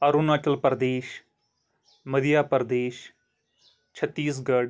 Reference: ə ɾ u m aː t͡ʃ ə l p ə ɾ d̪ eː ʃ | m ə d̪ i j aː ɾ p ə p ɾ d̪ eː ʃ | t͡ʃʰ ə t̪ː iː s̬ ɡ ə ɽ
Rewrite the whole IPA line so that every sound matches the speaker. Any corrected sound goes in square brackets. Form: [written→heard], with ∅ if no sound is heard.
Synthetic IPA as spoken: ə ɾ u [m→n] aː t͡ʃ ə l p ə ɾ d̪ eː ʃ | m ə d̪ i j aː [ɾ→∅] p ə [p→∅] ɾ d̪ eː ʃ | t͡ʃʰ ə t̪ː iː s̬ ɡ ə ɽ

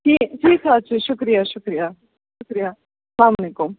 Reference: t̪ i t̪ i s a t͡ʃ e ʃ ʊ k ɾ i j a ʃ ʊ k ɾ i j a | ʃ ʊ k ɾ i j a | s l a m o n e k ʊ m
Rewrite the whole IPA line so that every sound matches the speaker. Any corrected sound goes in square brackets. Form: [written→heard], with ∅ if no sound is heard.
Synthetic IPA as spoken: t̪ i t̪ i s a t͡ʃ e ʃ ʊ k ɾ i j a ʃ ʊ k ɾ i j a | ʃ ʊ k ɾ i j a | s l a m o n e k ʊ m

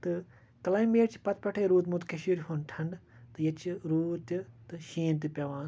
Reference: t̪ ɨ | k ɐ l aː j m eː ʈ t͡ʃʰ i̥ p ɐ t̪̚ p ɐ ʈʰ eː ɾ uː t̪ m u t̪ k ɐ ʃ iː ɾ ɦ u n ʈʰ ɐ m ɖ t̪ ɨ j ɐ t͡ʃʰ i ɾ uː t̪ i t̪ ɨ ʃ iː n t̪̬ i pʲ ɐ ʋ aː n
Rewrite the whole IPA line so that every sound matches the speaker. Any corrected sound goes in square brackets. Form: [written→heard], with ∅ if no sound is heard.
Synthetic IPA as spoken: t̪ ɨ | k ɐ l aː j m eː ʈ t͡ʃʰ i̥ p ɐ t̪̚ p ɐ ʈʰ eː ɾ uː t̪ m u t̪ k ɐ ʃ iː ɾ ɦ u n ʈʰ ɐ [m→ɳ] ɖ t̪ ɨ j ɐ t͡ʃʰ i ɾ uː t̪ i t̪ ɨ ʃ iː n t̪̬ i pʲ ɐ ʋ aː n

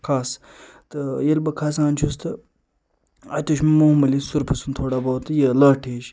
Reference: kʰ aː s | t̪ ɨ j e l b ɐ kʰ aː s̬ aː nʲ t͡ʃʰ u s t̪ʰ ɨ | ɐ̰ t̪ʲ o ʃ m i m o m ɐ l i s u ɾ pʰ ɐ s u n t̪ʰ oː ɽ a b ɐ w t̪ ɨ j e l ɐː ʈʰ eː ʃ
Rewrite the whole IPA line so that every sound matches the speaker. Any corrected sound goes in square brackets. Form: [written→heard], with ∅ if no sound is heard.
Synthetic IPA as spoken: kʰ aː s | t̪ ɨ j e l b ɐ kʰ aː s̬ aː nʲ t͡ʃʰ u s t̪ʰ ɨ | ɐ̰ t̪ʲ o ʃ m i m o m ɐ l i s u ɾ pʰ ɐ s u n t̪ʰ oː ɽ a b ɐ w t̪ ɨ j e l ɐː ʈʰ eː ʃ

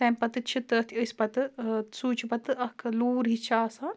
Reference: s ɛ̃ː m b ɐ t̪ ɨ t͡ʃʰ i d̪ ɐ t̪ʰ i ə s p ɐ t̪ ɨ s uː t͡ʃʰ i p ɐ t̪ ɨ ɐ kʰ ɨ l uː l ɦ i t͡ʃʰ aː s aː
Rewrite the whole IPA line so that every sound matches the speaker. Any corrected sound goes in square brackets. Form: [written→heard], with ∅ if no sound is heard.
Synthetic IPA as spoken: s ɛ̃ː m [b→p] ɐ t̪ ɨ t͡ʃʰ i [d̪→t̪] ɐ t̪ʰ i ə s p ɐ t̪ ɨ s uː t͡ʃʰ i p ɐ t̪ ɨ ɐ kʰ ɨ l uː [l→ɾ] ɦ i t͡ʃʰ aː s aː

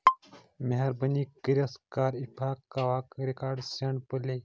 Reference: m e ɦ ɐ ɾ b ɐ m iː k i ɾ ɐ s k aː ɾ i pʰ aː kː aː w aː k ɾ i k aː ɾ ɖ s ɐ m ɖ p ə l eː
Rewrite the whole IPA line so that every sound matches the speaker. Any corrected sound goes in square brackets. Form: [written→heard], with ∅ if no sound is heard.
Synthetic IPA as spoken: m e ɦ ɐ ɾ b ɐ [m→n] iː k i ɾ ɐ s k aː ɾ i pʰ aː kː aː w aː k ɾ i k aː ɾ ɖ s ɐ [m→ɳ] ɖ p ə l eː

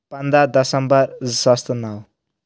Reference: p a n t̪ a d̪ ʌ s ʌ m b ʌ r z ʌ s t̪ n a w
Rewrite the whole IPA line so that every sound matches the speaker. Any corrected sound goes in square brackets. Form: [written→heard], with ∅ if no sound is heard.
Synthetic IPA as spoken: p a n [t̪→d̪] a d̪ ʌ s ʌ m b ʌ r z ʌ s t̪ n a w

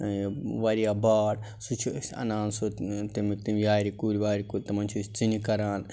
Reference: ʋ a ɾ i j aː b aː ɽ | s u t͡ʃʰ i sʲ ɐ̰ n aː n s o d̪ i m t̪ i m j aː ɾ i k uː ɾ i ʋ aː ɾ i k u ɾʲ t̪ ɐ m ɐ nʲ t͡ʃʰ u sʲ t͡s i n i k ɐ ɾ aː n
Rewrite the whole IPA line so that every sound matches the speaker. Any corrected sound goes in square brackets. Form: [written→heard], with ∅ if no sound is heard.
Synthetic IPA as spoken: ʋ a ɾ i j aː b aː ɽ | s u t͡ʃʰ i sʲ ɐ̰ n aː n s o [d̪→t̪] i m t̪ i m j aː ɾ i k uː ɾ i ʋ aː ɾ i k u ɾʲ t̪ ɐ m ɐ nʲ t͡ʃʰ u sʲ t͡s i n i k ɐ ɾ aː n

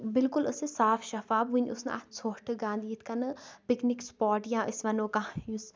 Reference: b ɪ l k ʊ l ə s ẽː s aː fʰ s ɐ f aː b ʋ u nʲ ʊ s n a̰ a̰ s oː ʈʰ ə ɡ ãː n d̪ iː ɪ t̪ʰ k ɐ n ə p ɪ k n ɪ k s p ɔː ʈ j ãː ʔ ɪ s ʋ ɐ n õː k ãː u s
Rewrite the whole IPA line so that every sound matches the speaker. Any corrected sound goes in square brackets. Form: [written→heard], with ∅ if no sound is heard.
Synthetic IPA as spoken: b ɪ l k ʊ l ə s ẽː s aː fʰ [s→ʃ] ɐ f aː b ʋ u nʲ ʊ s n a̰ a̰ s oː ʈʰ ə ɡ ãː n d̪ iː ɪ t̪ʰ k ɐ n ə p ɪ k n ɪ k s p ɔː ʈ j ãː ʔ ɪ s ʋ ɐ n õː k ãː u s

